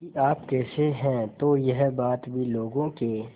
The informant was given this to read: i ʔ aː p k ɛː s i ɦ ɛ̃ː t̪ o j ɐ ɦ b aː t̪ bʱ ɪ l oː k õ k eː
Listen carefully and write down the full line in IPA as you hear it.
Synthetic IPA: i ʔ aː p k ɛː s e ɦ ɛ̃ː t̪ o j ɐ ɦ b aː t̪ bʱ i l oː ɡ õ k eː